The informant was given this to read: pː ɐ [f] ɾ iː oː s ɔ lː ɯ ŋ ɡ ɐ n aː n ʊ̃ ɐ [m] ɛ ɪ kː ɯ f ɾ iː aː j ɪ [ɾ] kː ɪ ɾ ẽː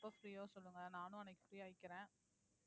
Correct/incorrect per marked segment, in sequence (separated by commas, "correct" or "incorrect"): correct, incorrect, incorrect